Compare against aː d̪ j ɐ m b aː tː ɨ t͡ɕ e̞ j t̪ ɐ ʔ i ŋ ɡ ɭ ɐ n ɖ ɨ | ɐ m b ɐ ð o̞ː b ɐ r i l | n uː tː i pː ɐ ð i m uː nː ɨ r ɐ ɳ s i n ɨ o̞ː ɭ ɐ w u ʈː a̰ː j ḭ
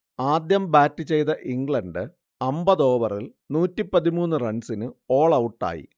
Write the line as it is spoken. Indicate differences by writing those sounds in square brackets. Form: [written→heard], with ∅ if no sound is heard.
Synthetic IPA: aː d̪ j ɐ m b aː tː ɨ t͡ɕ e̞ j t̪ ɐ ʔ i ŋ ɡ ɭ ɐ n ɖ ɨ | ɐ m b ɐ ð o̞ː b ɐ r i l | n uː tː i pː ɐ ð i m uː nː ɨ r ɐ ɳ s i n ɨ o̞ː ɭ ɐ w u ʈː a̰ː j ḭ